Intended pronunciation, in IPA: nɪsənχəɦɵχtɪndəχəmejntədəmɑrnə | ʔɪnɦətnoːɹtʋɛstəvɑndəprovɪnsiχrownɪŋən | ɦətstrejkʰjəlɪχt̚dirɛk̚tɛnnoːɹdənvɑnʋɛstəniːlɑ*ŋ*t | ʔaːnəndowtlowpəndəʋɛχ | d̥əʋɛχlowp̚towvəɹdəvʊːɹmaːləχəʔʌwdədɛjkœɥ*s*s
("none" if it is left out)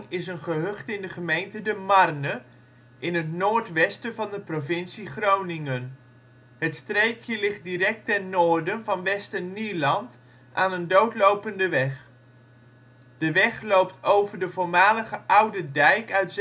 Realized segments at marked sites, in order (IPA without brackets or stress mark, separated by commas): n, t